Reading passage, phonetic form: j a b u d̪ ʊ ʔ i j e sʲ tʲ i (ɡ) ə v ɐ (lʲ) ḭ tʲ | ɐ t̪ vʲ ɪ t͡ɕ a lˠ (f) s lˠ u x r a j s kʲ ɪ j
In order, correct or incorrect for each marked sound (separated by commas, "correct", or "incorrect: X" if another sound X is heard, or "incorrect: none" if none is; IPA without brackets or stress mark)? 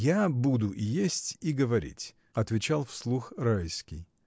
correct, incorrect: ɾʲ, correct